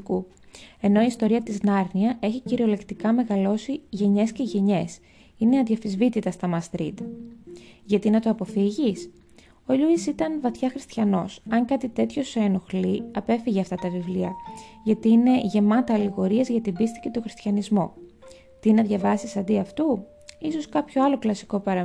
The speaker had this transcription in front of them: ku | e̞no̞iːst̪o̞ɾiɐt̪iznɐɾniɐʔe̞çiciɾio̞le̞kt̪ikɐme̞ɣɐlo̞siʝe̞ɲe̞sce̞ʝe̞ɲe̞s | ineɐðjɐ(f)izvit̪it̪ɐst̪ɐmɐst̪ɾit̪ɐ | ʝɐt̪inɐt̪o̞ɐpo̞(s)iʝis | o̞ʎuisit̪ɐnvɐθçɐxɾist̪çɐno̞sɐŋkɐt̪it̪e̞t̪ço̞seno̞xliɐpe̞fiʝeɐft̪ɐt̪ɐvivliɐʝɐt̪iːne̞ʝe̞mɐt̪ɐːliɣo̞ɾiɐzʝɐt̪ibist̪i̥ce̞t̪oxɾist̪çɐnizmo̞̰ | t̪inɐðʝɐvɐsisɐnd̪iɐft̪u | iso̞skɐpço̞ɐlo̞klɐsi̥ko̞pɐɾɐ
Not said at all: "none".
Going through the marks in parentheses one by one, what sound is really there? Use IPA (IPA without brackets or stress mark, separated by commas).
f, f